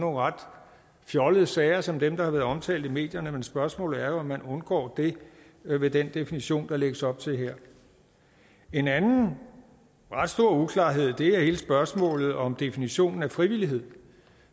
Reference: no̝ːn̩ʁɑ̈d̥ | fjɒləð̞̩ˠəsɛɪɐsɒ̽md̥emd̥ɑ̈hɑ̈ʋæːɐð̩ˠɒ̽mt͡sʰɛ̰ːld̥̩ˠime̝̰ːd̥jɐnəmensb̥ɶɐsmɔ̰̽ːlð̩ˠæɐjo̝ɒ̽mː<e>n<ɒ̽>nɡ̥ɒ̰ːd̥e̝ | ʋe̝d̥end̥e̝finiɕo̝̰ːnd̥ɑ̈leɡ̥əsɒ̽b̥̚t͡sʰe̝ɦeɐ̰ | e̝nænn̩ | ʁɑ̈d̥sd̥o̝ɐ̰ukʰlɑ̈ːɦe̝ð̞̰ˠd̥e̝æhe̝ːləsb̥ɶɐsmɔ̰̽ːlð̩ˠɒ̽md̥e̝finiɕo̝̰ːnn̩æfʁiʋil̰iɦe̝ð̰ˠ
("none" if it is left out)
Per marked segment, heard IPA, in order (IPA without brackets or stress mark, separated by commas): æ, ɔ̽